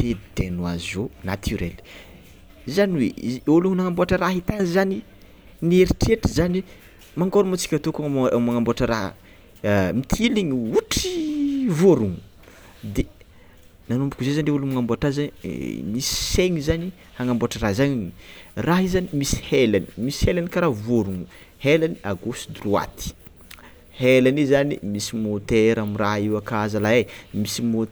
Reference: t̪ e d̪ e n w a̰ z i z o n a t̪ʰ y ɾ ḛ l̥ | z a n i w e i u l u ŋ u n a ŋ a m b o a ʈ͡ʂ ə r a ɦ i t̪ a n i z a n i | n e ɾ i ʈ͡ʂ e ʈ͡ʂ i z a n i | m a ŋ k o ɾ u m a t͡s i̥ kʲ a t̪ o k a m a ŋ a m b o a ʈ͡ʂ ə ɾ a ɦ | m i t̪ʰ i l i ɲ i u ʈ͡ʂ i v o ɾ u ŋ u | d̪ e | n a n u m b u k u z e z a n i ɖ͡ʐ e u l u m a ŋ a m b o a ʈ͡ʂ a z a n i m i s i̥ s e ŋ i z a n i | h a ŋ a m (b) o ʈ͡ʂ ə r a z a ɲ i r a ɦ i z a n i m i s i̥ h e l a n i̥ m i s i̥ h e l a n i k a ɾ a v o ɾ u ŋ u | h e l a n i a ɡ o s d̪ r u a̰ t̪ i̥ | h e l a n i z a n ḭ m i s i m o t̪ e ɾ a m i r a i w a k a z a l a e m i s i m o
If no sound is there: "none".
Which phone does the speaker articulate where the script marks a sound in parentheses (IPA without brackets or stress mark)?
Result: b